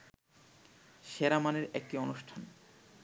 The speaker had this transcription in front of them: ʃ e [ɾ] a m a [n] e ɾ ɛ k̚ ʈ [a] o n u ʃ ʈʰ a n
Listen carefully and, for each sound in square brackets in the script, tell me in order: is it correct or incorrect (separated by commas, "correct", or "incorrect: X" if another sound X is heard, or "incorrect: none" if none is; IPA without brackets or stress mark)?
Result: correct, correct, incorrect: i